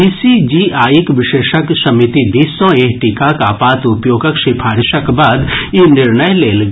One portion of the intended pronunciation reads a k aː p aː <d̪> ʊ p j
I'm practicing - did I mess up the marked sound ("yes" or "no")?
yes